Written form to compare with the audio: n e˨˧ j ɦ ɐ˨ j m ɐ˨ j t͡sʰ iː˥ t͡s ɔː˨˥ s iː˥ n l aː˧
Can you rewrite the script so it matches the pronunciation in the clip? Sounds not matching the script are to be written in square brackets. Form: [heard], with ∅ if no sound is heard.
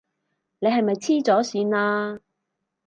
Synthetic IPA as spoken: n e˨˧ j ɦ ɐ˨ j m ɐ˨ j t͡sʰ iː˥ t͡s ɔː˨˥ s [iː˨˧] n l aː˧